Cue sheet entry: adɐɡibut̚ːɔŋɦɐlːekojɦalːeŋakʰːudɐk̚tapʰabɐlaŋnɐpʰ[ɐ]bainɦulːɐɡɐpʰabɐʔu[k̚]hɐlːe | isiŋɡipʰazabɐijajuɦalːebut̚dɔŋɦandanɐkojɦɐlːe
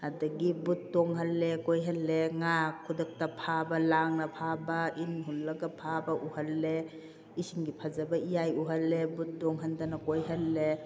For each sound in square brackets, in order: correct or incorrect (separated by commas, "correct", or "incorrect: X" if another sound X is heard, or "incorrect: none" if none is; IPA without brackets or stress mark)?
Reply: incorrect: a, incorrect: none